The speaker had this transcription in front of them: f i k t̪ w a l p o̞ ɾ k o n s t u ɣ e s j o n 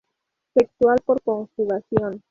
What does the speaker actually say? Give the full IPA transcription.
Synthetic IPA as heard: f e k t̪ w a l p o̞ ɾ k o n s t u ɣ a s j o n